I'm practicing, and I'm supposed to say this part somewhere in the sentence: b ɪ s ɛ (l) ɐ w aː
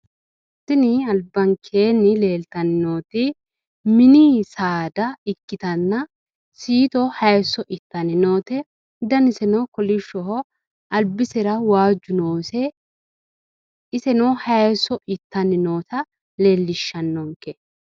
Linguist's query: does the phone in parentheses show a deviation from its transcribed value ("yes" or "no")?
yes